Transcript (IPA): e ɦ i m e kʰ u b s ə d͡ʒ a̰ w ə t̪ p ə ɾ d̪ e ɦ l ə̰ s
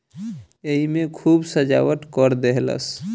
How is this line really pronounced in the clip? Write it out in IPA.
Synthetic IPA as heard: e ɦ i m e kʰ u b s ə d͡ʒ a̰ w ə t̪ k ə ɾ d̪ e ɦ l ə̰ s

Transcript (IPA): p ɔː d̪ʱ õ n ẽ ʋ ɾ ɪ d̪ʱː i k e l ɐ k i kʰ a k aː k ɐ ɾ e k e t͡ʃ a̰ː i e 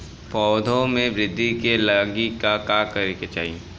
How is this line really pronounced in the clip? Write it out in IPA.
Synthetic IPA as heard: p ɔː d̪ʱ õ m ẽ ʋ ɾ ɪ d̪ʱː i k e l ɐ ɡ i k a k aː k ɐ ɾ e k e t͡ʃ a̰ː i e

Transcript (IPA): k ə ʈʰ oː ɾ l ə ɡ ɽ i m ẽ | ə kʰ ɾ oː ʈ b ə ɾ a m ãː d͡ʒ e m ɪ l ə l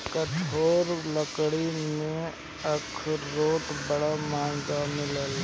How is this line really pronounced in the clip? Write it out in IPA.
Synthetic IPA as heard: k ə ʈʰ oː ɾ l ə k ɽ i m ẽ | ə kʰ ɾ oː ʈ b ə ɽ a m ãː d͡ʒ a m ɪ l ə l

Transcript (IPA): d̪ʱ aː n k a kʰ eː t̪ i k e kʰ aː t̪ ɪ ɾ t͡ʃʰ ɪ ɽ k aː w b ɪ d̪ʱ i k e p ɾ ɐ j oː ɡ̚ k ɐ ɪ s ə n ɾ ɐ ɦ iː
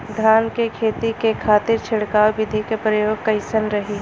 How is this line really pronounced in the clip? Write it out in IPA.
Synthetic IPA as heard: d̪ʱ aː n k e kʰ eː t̪ i k e kʰ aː t̪ ɪ ɾ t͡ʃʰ ɪ ɽ k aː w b ɪ d̪ʱ i k e p ɾ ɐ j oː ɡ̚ k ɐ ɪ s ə n ɾ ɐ ɦ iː

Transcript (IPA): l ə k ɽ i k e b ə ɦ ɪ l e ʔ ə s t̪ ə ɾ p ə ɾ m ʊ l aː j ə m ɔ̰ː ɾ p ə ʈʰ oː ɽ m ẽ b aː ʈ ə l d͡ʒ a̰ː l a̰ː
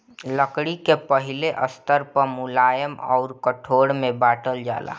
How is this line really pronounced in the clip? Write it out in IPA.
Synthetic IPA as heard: l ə k ɽ i k e p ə ɦ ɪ l e ʔ ə s t̪ ə ɾ p ə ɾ m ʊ l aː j ə m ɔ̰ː ɾ k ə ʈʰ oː ɽ m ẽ b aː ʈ ə l d͡ʒ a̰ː l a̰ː

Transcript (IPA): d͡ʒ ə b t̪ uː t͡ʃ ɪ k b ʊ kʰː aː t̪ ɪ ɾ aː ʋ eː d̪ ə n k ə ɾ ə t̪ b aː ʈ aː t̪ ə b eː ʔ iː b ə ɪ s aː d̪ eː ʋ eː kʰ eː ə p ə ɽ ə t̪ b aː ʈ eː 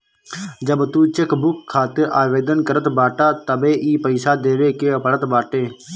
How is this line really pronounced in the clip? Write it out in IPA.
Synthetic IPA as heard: d͡ʒ ə b t̪ uː t͡ʃ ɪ k b ʊ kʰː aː t̪ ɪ ɾ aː ʋ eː d̪ ə n k ə ɾ ə t̪ b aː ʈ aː t̪ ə b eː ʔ iː p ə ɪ s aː d̪ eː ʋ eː k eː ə p ə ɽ ə t̪ b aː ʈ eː

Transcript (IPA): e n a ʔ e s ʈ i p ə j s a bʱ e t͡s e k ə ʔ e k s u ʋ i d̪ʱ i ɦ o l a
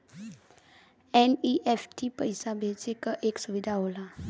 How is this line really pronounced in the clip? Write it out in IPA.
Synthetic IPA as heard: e n i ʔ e f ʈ i p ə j s a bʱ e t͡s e k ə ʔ e k s u ʋ i d̪ʱ a ɦ o l a

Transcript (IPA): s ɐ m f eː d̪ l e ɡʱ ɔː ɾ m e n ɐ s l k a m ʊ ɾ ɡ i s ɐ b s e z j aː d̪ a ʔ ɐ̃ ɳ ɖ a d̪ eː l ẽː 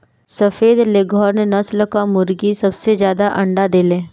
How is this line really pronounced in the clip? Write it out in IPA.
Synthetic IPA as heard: s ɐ f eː d̪ l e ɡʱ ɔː ɾ n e n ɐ s l k a m ʊ ɾ ɡ i s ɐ b s e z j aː d̪ a ʔ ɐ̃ ɳ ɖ a d̪ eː l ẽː

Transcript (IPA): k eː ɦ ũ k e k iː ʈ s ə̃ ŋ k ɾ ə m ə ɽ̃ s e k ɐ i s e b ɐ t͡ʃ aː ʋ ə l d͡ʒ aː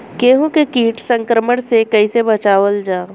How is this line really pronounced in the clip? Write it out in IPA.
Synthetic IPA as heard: k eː ɦ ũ k e k iː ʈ s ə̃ ŋ k ɾ ə m ə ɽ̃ s e k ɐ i s e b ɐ t͡ʃ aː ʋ ə l d͡ʒ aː

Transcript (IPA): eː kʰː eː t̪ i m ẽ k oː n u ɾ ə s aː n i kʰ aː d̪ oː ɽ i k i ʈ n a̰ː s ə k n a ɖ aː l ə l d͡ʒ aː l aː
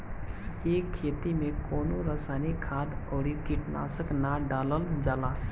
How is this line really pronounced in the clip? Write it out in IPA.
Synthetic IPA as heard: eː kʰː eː t̪ i m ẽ k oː n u ɾ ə s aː n i kʰ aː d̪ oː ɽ i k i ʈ n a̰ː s ə k n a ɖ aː l ə l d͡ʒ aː l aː

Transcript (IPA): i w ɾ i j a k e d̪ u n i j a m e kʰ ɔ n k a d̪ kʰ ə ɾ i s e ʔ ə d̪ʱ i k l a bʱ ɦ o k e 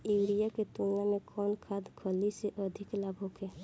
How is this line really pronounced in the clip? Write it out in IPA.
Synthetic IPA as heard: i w ɾ i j a k e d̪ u n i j a m e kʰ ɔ n kʰ a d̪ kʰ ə l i s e ʔ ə d̪ʱ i k l a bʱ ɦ o k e

